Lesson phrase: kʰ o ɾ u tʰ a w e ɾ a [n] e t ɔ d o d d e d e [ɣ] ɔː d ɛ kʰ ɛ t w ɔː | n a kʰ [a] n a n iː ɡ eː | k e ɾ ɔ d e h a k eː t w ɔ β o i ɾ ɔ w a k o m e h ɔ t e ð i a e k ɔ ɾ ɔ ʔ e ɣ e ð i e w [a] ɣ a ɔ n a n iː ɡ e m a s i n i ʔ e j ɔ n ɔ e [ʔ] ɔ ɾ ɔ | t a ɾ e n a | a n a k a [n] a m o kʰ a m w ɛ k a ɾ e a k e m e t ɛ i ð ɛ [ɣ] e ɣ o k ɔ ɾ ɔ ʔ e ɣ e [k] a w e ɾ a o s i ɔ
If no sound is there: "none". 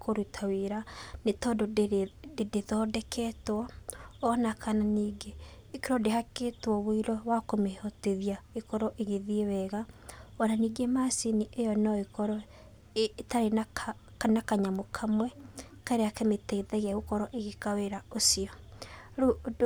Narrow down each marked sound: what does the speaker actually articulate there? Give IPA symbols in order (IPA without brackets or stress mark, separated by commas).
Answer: n, ð, a, ɛ, k, ɲ, ɣ, k